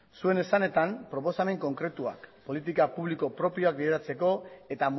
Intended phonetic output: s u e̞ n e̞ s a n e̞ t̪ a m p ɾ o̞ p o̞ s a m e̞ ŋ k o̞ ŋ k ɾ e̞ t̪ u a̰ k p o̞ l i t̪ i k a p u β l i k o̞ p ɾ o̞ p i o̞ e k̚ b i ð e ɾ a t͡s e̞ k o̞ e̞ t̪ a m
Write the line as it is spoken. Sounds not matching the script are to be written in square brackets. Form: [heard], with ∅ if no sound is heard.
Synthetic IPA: s u e̞ n e̞ s a n e̞ t̪ a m p ɾ o̞ p o̞ s a m e̞ ŋ k o̞ ŋ k ɾ e̞ t̪ u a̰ k p o̞ l i t̪ i k a p u β l i k o̞ p ɾ o̞ p i o̞ [a] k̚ b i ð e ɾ a t͡s e̞ k o̞ e̞ t̪ a m